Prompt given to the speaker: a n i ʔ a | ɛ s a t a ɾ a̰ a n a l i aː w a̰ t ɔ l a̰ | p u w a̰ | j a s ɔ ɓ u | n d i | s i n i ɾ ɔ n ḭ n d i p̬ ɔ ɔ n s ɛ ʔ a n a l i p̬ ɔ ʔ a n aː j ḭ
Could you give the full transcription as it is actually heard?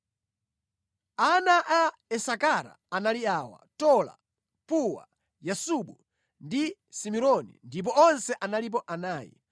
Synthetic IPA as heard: a n a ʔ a | ɛ s a k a ɾ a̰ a n a l i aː w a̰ t ɔ l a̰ | p u w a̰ | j a s u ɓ u | n d i | s i m i ɾ ɔ n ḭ n d i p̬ ɔ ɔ n s ɛ ʔ a n a l i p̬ ɔ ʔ a n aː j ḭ